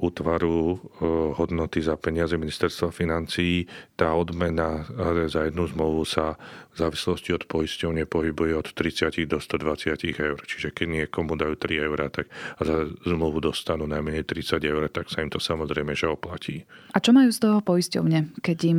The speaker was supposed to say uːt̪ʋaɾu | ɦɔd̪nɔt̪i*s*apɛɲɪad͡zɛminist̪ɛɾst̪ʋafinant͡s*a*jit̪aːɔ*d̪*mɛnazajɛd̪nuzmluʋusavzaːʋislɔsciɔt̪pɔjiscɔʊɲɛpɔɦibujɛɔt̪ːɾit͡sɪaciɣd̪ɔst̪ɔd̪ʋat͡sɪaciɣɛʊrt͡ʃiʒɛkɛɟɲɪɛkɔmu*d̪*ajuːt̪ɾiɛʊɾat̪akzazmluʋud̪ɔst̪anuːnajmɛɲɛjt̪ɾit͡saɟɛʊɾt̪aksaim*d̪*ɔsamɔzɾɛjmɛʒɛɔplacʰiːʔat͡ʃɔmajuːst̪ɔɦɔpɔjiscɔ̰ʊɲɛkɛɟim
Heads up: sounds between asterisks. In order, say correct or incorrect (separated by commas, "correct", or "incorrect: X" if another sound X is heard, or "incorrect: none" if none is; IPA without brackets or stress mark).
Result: incorrect: z, incorrect: i, correct, correct, incorrect: t̪